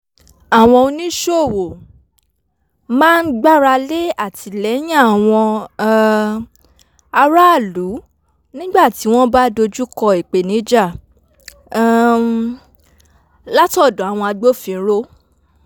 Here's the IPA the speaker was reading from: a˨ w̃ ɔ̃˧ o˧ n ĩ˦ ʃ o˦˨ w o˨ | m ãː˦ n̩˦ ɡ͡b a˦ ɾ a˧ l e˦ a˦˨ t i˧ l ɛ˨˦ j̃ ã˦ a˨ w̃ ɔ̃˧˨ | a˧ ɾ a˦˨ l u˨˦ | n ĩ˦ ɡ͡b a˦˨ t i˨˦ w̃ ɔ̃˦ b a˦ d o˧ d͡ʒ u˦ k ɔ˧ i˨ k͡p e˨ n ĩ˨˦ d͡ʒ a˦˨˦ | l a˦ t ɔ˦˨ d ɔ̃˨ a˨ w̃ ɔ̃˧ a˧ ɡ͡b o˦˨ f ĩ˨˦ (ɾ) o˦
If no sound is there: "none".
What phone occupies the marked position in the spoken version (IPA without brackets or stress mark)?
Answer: ɾ